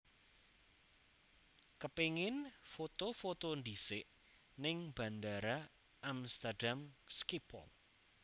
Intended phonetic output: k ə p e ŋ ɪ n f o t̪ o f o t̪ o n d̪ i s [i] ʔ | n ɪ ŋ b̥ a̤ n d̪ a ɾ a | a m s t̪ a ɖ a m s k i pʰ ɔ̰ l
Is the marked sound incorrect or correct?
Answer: incorrect